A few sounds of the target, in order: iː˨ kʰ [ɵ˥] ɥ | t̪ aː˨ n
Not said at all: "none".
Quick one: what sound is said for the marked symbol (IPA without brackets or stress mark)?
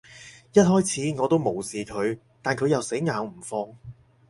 ɵ˨˧